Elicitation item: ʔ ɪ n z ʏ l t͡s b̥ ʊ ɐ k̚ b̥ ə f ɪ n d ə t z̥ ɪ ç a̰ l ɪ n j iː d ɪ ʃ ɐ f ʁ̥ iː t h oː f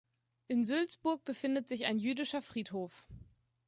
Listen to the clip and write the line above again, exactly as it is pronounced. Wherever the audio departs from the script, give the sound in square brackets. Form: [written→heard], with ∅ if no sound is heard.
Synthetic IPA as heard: ʔ ɪ n z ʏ l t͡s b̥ ʊ ɐ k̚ b̥ ə f ɪ n d ə t z̥ ɪ ç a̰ [l→∅] ɪ n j [iː→yː] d ɪ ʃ ɐ f ʁ̥ iː t h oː f